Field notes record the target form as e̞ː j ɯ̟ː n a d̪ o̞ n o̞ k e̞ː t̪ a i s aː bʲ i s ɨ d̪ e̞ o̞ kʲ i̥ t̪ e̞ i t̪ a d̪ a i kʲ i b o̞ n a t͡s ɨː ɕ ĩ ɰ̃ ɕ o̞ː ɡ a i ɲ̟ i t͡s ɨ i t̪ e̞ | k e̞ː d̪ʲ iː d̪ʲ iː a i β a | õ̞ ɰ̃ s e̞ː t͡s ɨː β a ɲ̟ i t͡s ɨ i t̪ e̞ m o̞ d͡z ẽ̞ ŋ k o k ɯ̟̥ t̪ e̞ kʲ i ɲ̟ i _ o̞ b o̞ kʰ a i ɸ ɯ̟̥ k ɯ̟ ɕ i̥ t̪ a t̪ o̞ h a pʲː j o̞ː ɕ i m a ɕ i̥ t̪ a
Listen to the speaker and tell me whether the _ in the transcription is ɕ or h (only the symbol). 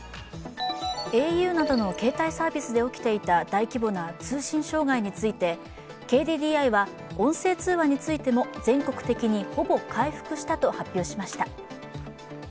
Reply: h